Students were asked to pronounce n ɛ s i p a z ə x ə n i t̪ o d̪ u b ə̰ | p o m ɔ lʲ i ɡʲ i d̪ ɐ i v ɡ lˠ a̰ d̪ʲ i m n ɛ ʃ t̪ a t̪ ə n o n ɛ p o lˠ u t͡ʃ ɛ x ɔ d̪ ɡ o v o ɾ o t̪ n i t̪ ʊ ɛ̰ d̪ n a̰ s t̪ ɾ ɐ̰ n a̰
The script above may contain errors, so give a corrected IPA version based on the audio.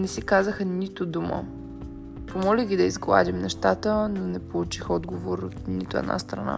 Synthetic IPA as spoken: n ɛ s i k a z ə x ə n i t̪ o d̪ u m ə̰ | p o m ɔ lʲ i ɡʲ i d̪ ɐ i z ɡ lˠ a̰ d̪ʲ i m n ɛ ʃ t̪ a t̪ ə n o n ɛ p o lˠ u t͡ʃ i x ɔ d̪ ɡ o v o ɾ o t̪ n i t̪ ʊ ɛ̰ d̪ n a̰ s t̪ ɾ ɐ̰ n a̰